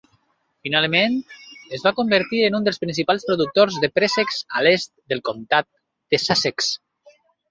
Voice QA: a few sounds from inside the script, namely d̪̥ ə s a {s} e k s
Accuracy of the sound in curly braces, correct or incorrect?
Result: correct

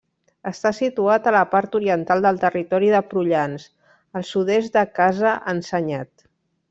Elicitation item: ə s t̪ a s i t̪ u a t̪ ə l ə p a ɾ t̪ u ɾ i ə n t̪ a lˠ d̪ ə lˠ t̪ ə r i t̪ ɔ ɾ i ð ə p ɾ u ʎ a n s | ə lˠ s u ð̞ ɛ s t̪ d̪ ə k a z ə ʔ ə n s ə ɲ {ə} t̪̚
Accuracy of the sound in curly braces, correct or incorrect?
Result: incorrect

